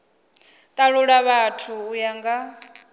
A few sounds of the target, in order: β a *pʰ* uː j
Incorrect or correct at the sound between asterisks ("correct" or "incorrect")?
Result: incorrect